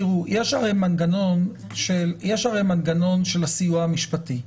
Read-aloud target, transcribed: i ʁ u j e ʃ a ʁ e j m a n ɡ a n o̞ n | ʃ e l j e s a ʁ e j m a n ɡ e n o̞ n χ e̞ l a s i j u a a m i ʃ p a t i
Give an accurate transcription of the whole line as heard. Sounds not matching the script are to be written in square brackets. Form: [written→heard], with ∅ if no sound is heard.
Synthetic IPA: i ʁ u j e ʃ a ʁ e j m a n ɡ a n o̞ n | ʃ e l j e [s→ʃ] a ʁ e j m a n ɡ [e→a] n o̞ n [χ→ʃ] e̞ l a s i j u a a m i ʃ p a t i